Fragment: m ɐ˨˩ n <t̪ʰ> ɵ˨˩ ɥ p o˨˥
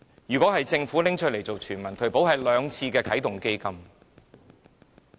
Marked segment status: correct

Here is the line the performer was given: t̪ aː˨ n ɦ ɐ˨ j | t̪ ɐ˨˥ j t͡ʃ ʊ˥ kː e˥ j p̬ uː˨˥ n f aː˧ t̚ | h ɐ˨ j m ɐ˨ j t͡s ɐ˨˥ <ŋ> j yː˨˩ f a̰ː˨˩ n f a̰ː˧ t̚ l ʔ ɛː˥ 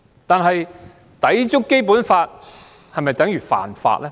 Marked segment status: correct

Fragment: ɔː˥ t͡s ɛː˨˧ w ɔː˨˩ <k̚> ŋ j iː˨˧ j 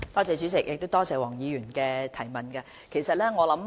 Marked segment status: incorrect: none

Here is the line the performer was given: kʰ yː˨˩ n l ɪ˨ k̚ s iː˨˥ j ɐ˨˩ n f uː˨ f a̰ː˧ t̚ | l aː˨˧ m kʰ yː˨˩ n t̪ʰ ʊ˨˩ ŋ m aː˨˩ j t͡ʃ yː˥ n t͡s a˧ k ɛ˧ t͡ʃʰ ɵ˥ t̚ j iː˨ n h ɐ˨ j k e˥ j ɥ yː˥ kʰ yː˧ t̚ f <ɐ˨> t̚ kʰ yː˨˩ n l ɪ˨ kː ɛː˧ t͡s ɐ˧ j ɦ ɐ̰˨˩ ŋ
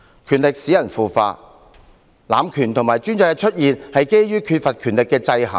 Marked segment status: correct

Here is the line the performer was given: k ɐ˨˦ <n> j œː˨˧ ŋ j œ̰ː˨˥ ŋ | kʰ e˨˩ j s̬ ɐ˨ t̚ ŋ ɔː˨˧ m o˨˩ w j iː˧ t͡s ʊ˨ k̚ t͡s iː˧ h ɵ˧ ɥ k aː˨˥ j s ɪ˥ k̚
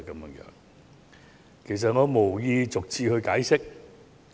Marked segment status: incorrect: m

